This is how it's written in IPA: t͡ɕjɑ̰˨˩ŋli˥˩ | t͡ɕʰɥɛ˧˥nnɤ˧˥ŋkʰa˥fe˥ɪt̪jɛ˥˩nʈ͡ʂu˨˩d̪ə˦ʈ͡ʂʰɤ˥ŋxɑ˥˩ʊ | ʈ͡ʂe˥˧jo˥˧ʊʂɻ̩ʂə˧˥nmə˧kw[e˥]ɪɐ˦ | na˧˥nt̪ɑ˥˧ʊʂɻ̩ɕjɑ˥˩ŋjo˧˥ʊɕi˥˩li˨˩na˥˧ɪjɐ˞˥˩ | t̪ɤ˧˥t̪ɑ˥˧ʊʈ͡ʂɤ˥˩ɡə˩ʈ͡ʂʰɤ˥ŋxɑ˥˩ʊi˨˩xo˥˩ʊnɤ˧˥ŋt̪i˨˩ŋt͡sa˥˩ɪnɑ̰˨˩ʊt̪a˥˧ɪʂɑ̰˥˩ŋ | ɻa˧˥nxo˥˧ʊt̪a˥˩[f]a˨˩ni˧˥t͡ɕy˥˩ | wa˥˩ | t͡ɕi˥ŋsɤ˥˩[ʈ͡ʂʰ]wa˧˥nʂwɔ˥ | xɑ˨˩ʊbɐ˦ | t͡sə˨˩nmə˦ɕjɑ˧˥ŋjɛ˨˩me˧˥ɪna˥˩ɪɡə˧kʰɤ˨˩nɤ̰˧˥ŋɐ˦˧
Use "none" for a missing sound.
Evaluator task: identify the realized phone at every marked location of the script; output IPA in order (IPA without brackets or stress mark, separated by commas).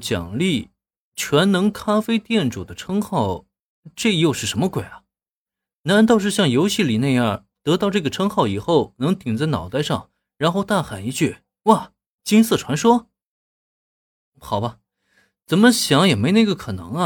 e˨˩, x, ʈ͡ʂʰ